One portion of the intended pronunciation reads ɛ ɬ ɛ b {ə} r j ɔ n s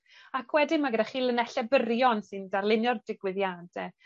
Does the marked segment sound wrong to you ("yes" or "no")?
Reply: no